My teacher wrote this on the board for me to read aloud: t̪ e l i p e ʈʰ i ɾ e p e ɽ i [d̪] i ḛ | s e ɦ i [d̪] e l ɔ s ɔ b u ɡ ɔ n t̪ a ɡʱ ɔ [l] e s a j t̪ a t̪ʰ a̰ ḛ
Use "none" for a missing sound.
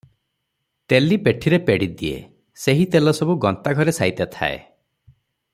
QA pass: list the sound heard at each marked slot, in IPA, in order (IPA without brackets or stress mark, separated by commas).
d̪, t̪, ɾ